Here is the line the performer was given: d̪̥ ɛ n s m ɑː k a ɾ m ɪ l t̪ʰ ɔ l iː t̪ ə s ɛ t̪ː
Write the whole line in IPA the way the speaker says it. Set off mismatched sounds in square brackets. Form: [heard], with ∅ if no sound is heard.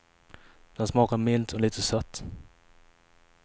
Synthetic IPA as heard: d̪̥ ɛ n s m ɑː k a ɾ m ɪ l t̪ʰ ɔ l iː t̪ ə s [œ] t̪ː